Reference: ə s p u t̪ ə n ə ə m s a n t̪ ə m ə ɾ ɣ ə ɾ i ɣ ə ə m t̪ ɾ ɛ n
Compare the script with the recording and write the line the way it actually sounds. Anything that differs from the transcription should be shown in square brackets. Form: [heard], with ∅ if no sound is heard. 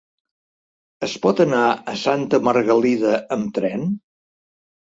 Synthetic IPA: ə s p [ɔ] t̪ ə n [a] ə [∅] s a n t̪ ə m ə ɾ ɣ ə [l] i [ð] ə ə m t̪ ɾ ɛ n